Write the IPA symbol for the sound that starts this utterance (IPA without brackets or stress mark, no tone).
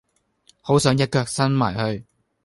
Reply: h